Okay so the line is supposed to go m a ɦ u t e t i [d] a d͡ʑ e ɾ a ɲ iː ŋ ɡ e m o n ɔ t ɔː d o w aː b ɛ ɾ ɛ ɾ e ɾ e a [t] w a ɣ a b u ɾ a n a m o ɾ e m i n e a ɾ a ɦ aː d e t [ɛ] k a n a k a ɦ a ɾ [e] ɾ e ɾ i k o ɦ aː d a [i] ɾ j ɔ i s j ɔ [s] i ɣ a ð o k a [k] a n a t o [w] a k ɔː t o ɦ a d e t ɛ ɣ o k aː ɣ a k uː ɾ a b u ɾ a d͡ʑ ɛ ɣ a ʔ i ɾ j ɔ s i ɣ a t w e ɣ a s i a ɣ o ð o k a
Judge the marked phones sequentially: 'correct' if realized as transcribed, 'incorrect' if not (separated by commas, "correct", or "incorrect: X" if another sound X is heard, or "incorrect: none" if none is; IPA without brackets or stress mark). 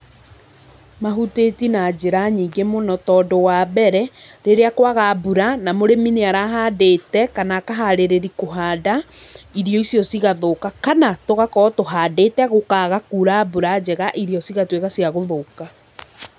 incorrect: n, incorrect: k, correct, correct, correct, correct, correct, incorrect: ɣ